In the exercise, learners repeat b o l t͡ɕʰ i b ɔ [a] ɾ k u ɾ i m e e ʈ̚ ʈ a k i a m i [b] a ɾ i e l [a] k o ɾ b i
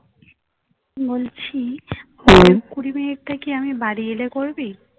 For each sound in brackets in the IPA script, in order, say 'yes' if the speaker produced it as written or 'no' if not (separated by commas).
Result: no, yes, no